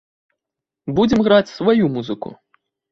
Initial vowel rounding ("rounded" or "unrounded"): rounded